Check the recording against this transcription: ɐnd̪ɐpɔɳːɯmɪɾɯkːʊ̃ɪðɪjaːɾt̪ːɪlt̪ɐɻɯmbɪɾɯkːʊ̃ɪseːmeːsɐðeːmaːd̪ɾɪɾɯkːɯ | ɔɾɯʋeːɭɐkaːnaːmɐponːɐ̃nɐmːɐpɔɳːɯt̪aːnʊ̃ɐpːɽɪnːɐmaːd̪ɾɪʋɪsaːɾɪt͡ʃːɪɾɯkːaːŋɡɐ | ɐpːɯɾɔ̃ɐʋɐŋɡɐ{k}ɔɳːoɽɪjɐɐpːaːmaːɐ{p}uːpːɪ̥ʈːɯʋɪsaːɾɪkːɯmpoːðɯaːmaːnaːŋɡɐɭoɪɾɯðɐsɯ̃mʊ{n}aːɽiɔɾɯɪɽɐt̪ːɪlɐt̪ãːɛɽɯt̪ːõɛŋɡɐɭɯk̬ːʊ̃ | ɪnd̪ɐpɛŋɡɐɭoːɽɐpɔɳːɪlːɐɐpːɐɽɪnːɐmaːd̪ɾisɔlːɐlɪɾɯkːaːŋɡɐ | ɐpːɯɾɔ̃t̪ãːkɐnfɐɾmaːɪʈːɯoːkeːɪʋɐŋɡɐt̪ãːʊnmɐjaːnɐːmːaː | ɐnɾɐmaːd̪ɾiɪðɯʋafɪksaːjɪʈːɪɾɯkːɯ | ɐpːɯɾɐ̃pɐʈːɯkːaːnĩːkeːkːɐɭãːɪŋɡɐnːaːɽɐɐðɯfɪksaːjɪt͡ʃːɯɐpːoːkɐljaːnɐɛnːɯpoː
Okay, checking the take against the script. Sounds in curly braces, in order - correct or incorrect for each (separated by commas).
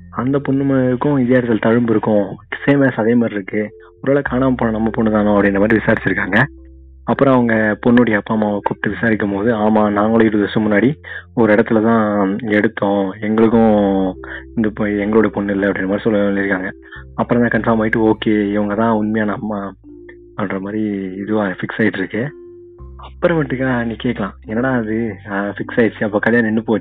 incorrect, incorrect, incorrect